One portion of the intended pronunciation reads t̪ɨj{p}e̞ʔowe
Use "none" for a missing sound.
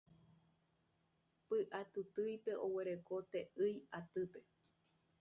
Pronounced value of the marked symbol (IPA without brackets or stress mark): p